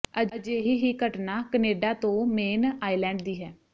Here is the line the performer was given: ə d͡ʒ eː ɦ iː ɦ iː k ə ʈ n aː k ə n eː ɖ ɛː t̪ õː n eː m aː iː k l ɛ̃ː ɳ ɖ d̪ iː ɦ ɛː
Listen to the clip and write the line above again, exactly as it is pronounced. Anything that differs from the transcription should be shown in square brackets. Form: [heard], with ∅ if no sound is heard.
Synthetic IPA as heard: ə d͡ʒ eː ɦ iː ɦ iː k ə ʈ n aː k ə n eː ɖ [aː] t̪ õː [m] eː [n] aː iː [∅] l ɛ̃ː ɳ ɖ d̪ iː ɦ ɛː